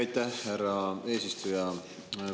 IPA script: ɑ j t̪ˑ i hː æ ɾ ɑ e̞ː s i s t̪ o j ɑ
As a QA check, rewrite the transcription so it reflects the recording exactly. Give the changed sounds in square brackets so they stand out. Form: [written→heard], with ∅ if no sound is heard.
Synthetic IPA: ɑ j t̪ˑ [i→æ] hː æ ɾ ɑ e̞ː s i s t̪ [o→u] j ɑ